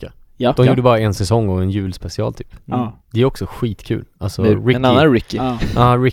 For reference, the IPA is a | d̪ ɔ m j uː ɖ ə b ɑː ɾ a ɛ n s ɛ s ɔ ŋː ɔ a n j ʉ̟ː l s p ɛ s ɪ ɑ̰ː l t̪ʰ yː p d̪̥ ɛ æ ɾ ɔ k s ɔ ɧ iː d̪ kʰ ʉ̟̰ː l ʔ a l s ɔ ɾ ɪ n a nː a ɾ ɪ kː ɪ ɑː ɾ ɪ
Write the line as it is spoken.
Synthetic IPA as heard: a | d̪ ɔ m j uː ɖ ə b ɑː ɾ a ɛ n s ɛ s ɔ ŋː ɔ ɛ n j ʉ̟ː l s p ɛ s ɪ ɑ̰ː l t̪ʰ yː p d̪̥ ɛ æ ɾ ɔ k s ɔ ɧ iː t̪ kʰ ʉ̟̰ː l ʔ a l s ɔ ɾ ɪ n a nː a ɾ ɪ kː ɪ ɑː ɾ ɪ